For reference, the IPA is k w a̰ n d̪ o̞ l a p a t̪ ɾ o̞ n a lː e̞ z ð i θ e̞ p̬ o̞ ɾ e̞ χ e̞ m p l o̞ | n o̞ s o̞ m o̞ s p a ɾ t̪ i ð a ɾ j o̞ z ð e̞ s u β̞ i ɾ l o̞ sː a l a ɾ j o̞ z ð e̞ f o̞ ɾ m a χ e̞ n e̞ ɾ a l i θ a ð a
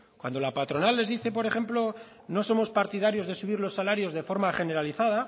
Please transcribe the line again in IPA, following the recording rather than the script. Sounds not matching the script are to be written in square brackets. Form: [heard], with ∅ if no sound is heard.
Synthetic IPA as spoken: k w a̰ n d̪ o̞ l a p a t̪ ɾ o̞ n a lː e̞ z ð i θ e̞ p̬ o̞ ɾ e̞ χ e̞ m p l o̞ | n o̞ s o̞ m o̞ s p a ɾ t̪ i ð a ɾ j o̞ z ð e̞ s u β̞ i ɾ l o̞ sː a l a ɾ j o̞ z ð e̞ f o̞ ɾ m a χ e̞ n e̞ ɾ a l i θ a ð a